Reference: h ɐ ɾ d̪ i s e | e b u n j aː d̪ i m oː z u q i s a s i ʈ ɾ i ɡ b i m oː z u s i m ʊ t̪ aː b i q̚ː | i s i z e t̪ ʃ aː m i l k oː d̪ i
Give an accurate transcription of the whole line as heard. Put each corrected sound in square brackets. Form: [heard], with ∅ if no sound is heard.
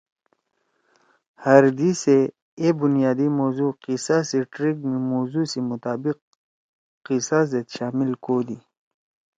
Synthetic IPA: h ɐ ɾ d̪ i s e | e b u n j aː d̪ i m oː z u q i s a s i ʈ ɾ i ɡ [m] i m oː z u s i m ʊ t̪ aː b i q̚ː | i s [a] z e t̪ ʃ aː m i l k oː d̪ i